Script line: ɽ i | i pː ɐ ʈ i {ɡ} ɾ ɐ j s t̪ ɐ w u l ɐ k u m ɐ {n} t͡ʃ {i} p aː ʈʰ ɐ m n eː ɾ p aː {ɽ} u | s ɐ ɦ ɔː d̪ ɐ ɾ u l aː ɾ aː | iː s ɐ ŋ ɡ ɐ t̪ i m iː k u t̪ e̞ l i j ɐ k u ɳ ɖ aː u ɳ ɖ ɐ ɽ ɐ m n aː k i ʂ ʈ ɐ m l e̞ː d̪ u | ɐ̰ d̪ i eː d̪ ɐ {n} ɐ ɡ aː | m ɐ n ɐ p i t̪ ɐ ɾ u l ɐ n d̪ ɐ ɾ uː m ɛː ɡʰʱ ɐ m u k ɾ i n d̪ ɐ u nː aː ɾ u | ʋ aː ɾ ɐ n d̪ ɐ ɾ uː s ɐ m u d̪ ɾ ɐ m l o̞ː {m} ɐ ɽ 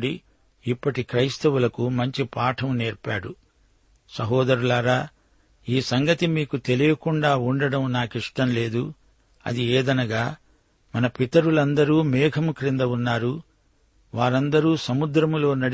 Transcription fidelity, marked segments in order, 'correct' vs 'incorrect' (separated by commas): incorrect, incorrect, correct, correct, correct, incorrect